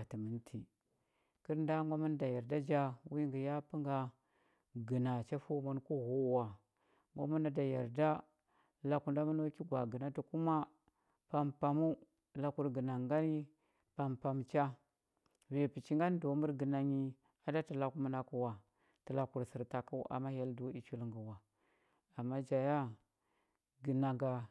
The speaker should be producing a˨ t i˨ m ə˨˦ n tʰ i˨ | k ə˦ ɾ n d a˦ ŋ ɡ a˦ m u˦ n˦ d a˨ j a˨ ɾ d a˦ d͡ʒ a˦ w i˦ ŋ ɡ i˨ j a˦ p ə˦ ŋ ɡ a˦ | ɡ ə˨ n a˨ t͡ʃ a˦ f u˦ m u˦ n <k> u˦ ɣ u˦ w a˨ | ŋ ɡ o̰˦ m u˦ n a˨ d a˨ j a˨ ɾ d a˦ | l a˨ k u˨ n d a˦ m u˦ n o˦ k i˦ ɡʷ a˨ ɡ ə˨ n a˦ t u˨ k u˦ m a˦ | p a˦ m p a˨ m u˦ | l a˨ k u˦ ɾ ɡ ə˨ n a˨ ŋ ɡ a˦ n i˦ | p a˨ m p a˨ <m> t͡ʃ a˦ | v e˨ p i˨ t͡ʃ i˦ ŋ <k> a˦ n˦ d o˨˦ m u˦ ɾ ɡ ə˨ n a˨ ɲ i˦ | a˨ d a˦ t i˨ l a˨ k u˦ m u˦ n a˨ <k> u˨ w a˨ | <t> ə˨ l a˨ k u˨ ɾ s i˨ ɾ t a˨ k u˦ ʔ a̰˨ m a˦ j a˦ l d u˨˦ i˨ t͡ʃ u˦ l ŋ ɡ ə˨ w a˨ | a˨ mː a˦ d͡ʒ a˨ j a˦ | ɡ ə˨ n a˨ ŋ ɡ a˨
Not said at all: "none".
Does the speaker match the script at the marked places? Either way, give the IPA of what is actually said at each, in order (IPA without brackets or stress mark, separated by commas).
k, m, ɡ, k, t